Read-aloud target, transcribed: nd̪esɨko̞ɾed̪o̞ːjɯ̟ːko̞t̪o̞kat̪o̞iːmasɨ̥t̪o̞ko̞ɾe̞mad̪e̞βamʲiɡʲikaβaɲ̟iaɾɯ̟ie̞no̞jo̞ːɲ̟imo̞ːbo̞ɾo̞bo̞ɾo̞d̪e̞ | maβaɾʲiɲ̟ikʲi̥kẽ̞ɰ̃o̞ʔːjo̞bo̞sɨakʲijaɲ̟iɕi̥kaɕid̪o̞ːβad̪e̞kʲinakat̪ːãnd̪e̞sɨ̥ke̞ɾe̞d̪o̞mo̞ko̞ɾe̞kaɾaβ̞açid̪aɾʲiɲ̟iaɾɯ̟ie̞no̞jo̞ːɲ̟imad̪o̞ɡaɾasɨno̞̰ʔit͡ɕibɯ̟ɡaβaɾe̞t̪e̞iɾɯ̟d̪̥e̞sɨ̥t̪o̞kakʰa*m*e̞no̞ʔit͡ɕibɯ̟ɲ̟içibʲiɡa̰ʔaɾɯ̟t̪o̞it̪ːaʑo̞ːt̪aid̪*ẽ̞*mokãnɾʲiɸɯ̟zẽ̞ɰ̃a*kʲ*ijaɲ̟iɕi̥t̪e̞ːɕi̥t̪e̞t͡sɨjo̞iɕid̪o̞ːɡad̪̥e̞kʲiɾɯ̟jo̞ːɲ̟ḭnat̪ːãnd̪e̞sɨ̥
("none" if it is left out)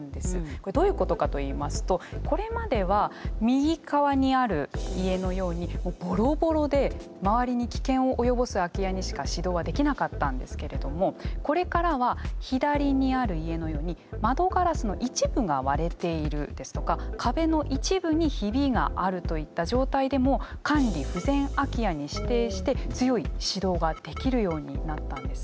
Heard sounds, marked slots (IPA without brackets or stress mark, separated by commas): b, e̞, kʲ